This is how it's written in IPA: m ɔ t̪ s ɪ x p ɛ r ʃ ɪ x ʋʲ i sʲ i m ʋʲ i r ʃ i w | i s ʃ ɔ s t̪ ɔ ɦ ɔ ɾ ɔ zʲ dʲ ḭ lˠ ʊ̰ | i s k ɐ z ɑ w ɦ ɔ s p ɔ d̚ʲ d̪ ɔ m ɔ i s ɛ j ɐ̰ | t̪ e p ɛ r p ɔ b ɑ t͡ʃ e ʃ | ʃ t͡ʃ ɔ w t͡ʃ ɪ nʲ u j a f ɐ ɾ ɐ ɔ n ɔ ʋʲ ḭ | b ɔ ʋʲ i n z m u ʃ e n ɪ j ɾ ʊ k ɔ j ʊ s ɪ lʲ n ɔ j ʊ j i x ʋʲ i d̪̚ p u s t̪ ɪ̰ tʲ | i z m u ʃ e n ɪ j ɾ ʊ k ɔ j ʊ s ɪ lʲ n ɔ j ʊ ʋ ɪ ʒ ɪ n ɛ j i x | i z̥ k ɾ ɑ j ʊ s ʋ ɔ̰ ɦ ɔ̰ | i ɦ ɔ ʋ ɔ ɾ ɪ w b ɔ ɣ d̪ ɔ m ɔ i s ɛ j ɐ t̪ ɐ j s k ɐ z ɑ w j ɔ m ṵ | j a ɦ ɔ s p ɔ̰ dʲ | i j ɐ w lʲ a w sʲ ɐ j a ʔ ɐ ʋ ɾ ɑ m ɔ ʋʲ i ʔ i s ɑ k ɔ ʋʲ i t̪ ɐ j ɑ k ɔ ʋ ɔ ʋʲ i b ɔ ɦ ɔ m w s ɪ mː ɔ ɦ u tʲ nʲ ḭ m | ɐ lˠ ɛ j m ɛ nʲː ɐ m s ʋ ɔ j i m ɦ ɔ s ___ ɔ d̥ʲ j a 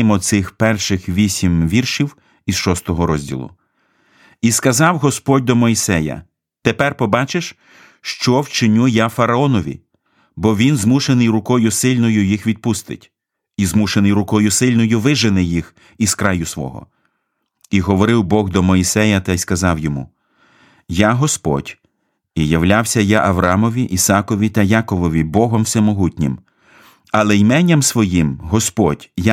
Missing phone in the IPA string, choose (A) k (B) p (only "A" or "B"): B